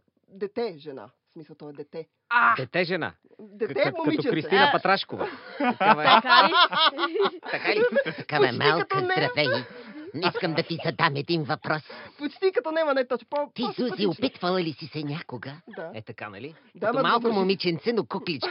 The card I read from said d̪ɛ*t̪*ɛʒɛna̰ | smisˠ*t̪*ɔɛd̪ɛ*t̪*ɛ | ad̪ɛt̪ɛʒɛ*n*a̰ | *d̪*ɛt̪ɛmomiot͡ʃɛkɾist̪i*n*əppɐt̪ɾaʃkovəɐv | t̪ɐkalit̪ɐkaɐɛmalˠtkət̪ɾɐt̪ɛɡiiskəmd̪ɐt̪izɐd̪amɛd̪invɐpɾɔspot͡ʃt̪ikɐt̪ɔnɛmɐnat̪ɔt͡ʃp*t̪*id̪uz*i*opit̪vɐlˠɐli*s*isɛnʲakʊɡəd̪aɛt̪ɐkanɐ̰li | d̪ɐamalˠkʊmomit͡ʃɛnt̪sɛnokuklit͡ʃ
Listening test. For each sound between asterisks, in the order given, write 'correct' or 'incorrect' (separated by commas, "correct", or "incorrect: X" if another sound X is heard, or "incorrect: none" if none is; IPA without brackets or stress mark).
correct, correct, correct, correct, correct, correct, correct, correct, correct